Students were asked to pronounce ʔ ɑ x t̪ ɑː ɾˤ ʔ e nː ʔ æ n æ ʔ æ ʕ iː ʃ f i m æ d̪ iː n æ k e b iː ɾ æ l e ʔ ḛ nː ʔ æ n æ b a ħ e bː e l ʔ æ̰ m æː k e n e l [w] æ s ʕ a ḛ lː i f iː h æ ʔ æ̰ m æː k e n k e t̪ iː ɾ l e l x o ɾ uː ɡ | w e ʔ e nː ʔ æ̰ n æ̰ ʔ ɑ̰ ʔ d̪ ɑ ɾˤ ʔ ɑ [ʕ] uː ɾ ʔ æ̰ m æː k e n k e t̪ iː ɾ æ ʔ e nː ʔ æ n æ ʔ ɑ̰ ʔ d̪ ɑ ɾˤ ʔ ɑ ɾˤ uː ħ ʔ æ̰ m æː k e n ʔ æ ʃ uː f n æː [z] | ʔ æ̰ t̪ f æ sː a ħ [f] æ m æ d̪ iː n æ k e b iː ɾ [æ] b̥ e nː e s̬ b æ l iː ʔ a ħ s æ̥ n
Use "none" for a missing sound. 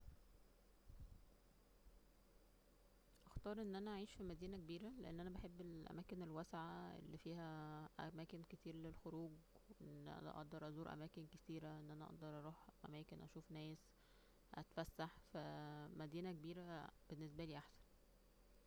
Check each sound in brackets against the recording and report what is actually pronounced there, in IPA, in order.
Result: w, z, s, f, æ

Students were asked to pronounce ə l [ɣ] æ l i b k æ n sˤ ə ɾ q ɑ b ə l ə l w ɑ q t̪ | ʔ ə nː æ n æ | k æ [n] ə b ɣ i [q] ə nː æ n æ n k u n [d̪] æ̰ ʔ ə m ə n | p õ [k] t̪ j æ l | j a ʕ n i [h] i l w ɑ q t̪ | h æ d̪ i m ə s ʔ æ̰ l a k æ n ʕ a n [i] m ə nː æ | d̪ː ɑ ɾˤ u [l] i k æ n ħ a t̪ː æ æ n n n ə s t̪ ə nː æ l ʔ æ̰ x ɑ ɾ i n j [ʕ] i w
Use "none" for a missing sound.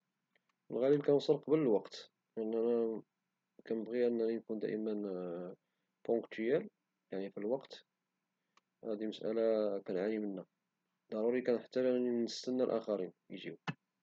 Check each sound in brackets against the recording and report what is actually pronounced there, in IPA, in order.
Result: ɣ, n, ʔ, d̪, k, f, i, ɾ, ʒ

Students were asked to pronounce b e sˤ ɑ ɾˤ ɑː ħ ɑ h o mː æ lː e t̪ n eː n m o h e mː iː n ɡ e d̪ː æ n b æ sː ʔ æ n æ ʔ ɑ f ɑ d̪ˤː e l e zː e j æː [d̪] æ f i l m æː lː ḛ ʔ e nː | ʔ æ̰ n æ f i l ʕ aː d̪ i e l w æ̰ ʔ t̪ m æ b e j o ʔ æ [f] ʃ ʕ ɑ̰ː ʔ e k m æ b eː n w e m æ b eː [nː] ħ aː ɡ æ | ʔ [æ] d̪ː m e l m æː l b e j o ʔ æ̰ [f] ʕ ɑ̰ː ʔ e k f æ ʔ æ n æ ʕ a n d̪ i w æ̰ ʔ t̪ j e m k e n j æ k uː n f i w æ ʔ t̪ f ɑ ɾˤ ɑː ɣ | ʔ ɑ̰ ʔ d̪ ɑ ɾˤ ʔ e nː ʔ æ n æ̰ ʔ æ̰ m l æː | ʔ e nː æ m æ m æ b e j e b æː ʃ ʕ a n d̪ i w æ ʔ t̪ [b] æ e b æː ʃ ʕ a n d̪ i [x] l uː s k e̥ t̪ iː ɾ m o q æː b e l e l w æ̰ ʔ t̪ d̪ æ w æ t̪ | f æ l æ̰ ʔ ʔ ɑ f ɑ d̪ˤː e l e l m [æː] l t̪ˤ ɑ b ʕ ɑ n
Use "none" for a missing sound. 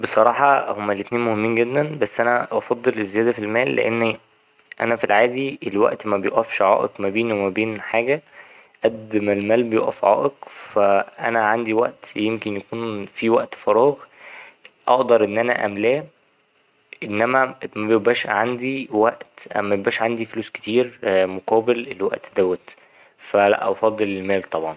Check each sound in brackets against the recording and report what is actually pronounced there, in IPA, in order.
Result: d̪, f, n, æ, f, m, f, æː

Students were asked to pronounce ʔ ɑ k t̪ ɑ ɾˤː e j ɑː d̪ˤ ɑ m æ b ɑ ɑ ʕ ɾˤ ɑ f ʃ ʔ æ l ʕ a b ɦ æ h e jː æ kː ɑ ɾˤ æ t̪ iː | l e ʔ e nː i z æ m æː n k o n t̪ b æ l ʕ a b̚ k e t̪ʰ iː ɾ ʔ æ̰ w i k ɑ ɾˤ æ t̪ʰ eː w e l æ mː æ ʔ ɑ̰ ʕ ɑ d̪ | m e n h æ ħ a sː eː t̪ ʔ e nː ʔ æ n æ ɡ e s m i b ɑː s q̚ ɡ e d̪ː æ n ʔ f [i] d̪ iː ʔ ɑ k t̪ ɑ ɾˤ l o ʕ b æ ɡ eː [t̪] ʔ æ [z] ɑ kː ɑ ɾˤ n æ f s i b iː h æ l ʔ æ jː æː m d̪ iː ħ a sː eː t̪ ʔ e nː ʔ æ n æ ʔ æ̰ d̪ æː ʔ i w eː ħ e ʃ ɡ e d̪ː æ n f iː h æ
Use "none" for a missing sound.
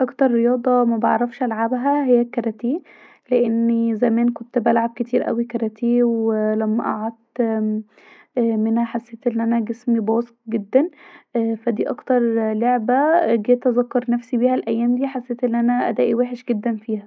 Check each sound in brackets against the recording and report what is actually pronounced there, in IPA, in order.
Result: æ, t̪, z

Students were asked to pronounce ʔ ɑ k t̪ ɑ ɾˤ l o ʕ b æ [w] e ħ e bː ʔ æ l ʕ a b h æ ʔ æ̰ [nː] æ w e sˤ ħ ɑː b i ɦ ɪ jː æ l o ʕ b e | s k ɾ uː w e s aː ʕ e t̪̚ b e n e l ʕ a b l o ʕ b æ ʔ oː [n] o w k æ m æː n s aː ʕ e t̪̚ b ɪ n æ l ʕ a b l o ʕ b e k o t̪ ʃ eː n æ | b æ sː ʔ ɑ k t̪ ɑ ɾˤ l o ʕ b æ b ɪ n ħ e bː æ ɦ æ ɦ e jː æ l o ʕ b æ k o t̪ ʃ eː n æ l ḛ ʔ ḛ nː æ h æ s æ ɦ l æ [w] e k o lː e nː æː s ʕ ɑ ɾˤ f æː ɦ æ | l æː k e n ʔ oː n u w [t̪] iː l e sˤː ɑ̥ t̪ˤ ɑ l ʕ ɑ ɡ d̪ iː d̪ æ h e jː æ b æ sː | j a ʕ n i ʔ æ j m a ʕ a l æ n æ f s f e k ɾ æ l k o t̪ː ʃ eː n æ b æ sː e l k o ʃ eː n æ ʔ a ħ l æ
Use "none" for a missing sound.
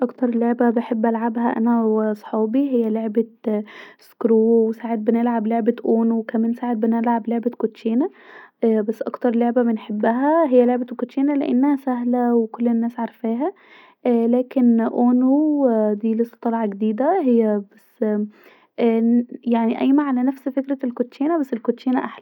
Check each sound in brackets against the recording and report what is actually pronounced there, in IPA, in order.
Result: b, n, n, w, d̪

